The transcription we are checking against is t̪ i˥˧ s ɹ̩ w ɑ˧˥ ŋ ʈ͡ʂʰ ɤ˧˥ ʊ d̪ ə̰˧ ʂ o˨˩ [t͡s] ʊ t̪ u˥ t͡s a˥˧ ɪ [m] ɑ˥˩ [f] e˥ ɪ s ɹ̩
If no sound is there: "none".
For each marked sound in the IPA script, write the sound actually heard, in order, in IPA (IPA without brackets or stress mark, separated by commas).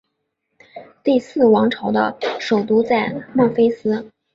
none, m, f